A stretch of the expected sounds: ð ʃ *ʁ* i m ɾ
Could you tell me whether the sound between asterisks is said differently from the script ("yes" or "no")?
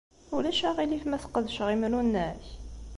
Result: no